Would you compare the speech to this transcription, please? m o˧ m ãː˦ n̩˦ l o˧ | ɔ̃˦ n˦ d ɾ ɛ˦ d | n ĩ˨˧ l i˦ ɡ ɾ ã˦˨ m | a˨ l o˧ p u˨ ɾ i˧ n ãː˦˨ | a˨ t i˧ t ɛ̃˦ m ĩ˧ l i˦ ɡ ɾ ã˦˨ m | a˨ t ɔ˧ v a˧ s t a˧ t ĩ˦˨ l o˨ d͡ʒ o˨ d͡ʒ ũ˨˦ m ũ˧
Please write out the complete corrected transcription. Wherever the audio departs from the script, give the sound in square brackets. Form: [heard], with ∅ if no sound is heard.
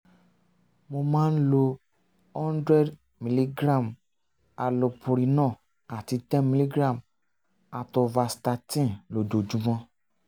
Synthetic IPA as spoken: m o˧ m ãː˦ n̩˦ l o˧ | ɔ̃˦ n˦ d ɾ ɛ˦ d | [m] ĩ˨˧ l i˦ ɡ ɾ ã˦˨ m | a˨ l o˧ p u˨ ɾ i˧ n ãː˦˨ | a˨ t i˧ t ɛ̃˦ m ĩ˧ l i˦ ɡ ɾ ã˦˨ m | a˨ t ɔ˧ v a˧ s t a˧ t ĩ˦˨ l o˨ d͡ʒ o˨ d͡ʒ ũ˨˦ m [ɔ̃˧]